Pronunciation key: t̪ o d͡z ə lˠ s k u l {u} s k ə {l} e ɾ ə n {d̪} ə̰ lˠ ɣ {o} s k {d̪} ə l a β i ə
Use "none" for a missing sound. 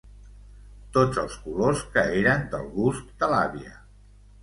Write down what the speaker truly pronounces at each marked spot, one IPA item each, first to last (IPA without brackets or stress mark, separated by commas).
o, none, d̪, u, d̪